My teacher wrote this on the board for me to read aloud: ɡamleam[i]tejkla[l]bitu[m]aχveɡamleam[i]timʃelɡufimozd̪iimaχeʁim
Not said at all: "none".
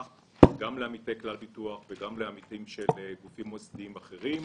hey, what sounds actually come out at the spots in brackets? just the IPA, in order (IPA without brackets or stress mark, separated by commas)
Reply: i, l, none, i